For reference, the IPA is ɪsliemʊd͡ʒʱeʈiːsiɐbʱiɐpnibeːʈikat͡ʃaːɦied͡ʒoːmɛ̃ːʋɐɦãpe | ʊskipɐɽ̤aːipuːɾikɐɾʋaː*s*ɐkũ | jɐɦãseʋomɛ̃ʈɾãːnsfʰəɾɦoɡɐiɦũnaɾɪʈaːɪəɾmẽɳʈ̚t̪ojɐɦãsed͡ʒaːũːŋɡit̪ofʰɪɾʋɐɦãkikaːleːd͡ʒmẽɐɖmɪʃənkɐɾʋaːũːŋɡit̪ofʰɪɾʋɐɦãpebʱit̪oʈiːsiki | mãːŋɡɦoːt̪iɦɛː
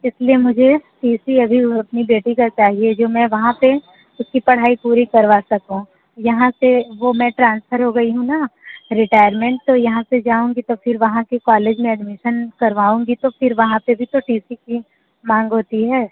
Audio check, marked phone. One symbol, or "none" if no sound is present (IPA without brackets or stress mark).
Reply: s